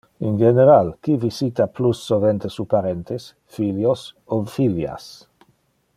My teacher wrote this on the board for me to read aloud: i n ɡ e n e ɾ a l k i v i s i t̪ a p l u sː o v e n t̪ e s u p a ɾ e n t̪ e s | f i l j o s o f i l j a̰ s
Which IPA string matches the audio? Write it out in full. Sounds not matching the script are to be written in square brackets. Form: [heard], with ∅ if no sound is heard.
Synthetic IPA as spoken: i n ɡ e n e ɾ a l k i v i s i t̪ a p l u sː o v e n t̪ e s u p a ɾ e n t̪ e s | f i l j o s o f i l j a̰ s